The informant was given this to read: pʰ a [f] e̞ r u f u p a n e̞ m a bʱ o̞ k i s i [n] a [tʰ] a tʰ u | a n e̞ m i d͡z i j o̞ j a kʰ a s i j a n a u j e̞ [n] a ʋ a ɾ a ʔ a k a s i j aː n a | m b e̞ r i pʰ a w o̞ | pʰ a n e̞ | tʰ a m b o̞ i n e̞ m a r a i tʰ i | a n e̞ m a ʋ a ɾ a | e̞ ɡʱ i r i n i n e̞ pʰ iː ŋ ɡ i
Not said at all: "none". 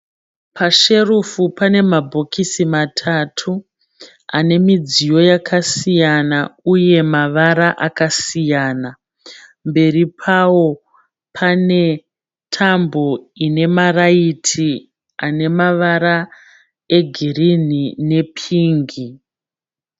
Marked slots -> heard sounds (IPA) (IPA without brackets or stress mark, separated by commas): ʃ, m, tʰ, m